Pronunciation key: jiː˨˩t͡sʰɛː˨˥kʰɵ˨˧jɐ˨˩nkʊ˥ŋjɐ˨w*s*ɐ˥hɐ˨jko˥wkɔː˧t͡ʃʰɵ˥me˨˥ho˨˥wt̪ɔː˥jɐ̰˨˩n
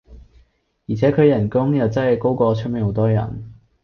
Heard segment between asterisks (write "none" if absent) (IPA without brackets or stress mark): t͡s